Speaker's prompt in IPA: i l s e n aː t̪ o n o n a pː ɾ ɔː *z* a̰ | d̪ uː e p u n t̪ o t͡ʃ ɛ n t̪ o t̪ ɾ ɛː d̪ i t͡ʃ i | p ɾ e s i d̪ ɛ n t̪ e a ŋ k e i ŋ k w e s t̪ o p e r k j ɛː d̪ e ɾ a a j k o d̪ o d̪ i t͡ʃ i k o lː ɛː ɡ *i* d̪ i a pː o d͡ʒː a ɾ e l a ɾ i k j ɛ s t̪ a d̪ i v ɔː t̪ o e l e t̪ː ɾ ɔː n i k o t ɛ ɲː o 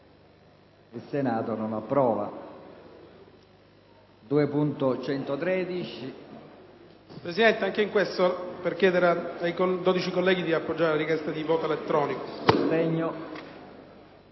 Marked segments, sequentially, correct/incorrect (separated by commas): incorrect, correct